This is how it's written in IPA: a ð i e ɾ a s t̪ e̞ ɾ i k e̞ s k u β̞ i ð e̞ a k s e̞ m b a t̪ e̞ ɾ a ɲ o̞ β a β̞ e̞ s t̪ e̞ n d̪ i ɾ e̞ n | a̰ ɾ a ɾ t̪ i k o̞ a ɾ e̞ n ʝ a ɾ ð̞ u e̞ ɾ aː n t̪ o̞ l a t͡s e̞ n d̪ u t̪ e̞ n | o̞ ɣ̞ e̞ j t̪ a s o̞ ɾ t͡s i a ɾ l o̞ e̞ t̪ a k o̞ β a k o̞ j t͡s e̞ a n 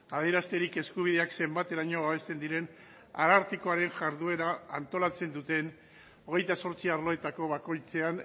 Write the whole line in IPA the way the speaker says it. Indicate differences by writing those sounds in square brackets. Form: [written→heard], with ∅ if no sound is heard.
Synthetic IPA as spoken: a ð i e ɾ a s t̪ e̞ ɾ i k e̞ s k u β̞ i ð e̞ a k s e̞ m b a t̪ e̞ ɾ a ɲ o̞ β a β̞ e̞ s t̪ e̞ n d̪ i ɾ e̞ n | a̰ ɾ a ɾ t̪ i k o̞ a ɾ e̞ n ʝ a ɾ ð̞ u e̞ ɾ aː n t̪ o̞ l a t͡s e̞ n d̪ u t̪ e̞ n | o̞ ɣ̞ e̞ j t̪ a s o̞ ɾ t͡s i a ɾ l o̞ e̞ t̪ a k o̞ β a k o̞ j t͡s e̞ a n